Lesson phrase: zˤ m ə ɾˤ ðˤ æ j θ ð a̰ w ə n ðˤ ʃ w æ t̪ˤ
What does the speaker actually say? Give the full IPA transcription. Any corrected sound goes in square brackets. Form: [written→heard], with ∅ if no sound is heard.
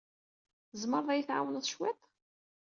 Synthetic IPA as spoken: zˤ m ə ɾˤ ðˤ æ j θ [ð→ʕ] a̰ w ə n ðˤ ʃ w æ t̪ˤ